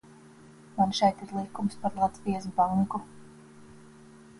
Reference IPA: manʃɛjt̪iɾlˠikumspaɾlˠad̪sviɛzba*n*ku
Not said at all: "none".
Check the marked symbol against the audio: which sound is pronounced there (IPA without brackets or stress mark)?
ŋ